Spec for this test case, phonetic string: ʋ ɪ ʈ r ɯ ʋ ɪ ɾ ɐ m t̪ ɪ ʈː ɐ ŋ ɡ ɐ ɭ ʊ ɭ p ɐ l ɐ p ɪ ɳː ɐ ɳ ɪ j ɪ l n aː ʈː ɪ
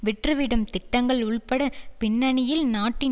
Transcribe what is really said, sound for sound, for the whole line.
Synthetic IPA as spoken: ʋ ɪ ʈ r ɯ ʋ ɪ ɽ ɐ m t̪ ɪ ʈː ɐ ŋ ɡ ɐ ɭ ʊ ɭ p ɐ ɽ ɐ p ɪ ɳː ɐ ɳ ɪ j ɪ l n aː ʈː ɪ